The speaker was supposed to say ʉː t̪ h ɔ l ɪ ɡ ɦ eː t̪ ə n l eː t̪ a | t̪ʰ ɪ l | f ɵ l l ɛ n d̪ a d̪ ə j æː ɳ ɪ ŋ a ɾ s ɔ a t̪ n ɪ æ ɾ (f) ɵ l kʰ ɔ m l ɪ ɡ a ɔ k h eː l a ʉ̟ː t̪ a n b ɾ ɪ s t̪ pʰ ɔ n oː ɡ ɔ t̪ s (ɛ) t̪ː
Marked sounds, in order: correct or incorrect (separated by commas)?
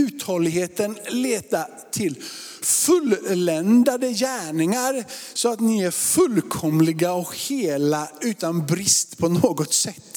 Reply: correct, correct